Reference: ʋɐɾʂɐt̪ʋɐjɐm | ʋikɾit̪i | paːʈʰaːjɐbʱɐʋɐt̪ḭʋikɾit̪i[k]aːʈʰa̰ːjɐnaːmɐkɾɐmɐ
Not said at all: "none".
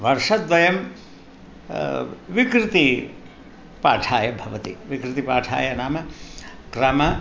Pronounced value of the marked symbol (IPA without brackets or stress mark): p